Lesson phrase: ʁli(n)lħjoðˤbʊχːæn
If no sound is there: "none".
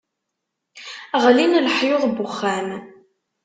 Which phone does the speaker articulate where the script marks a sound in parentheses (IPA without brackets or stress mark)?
n